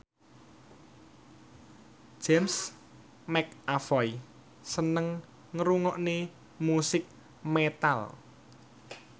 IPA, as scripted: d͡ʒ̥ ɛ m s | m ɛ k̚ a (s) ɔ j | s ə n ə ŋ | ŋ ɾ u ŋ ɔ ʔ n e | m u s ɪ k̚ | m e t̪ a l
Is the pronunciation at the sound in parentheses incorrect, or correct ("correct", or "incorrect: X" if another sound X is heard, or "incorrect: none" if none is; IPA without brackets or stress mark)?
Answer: incorrect: f